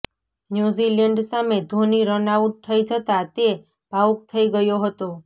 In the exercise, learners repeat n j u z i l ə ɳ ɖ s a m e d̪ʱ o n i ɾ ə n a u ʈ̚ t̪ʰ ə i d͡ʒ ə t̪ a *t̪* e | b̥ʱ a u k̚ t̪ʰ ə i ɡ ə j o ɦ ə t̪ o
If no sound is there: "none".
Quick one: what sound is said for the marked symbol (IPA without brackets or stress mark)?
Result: t̪